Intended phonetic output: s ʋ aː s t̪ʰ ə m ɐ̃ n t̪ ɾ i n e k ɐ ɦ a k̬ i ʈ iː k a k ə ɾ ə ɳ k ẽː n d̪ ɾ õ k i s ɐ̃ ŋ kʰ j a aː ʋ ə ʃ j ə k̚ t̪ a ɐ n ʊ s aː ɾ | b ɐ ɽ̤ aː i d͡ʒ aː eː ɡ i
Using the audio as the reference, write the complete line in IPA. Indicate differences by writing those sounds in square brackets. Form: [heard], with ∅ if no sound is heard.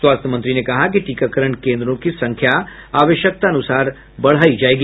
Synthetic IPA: s [w] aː s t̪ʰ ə m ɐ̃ n t̪ ɾ i n e k ɐ ɦ a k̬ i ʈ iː k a k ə ɾ ə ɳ k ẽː n d̪ ɾ õ k i s ɐ̃ ŋ kʰ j a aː ʋ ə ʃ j ə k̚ t̪ a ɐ n ʊ s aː ɾ | b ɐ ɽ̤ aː i d͡ʒ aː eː ɡ i